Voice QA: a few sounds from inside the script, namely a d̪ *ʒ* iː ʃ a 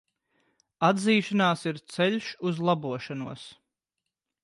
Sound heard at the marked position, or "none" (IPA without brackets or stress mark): z